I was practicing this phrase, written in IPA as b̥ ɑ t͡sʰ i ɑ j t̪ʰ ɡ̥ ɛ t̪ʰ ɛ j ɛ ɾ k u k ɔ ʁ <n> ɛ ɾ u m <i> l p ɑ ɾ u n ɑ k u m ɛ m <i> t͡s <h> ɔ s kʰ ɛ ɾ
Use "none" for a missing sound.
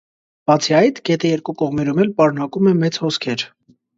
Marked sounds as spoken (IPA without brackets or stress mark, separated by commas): m, ɛ, ɛ, h